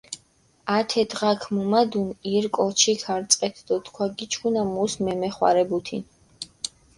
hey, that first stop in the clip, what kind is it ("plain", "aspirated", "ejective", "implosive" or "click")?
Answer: aspirated